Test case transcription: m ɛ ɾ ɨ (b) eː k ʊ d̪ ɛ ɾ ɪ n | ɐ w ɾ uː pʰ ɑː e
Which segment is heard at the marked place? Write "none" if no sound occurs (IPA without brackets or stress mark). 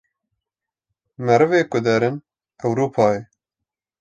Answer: v